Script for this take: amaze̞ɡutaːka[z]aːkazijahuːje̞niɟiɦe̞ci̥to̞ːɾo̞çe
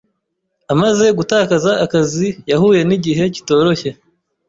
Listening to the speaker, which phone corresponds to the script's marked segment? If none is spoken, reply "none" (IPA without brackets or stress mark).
z